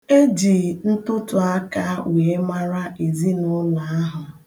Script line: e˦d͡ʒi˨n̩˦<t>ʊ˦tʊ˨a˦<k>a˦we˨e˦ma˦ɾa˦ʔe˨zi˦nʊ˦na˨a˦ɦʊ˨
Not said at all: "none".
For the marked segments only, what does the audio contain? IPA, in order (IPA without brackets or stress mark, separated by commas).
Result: t, k